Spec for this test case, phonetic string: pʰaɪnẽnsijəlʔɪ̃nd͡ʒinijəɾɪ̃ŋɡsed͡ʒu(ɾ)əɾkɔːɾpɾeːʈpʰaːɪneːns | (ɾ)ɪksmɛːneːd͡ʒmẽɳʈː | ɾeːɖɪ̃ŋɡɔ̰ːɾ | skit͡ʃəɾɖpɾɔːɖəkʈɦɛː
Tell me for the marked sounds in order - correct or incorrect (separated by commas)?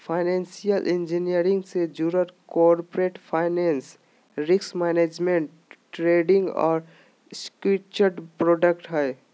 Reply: correct, correct